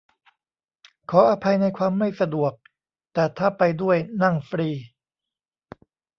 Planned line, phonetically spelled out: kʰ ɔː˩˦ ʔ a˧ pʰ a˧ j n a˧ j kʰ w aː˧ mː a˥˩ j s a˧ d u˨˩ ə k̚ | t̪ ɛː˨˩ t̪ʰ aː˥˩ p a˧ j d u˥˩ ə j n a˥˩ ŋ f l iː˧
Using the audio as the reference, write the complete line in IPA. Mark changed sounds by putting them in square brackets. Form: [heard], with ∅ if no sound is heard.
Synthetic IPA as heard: kʰ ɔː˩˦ ʔ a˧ pʰ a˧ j n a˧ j kʰ w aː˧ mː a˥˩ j s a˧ d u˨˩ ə k̚ | t̪ ɛː˨˩ t̪ʰ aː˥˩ p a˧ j d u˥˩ ə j n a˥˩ ŋ f [ɾ] iː˧